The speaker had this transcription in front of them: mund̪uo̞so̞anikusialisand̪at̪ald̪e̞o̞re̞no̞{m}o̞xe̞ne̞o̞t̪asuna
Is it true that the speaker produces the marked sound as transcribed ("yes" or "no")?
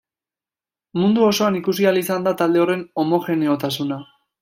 yes